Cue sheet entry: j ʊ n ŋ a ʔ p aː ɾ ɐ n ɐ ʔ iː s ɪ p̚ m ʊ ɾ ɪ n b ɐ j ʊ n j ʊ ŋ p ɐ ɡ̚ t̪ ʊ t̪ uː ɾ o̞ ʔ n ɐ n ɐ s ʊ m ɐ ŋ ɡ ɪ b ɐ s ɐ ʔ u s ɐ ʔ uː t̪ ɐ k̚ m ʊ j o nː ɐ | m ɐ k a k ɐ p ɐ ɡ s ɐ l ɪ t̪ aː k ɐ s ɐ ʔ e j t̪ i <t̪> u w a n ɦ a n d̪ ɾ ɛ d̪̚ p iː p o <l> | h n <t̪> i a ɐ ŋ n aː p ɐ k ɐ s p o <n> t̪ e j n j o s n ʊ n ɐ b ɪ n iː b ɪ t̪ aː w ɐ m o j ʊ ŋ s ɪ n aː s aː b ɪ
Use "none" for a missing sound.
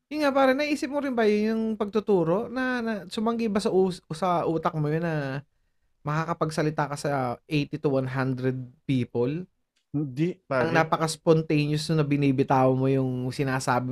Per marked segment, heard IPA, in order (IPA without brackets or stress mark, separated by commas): t̪, l, d̪, n